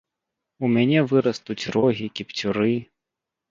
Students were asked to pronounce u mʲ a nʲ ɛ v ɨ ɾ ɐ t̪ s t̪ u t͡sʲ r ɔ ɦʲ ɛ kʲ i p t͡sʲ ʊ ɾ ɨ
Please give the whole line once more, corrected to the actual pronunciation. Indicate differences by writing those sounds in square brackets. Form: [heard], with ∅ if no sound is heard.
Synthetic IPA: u mʲ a nʲ ɛ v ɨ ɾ ɐ [∅] s t̪ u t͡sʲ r ɔ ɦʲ [i] kʲ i p t͡sʲ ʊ ɾ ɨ